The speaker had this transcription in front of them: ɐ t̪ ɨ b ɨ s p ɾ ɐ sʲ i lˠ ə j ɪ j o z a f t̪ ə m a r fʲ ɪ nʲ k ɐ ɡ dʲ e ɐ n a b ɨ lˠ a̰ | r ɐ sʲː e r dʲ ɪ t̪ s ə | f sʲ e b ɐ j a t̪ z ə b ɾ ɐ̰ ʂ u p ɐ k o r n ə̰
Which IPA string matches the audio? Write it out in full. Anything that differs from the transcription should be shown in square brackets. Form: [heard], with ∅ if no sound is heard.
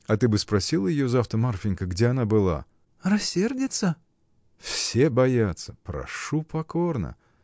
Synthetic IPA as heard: ɐ t̪ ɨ b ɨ s p ɾ ɐ sʲ i lˠ ə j ɪ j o z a f t̪ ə m a r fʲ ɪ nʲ k [ə] ɡ dʲ e ɐ n a b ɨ lˠ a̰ | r ɐ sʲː e r dʲ ɪ t̪ s ə | f sʲ e b ɐ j a t̪ [s] ə [p] ɾ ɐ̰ ʂ u p ɐ k o r n ə̰